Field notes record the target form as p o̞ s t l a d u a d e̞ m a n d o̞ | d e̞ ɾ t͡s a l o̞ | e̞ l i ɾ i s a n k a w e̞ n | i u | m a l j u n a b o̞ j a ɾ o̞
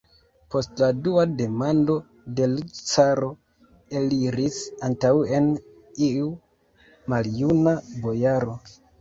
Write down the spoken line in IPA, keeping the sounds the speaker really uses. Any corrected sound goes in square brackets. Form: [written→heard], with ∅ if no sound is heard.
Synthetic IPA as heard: p o̞ s t l a d u a d e̞ m a n d o̞ | d e̞ [ɾ→l] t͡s a [l→ɾ] o̞ | e̞ l i ɾ i s a n [k→t] a w e̞ n | i u | m a l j u n a b o̞ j a ɾ o̞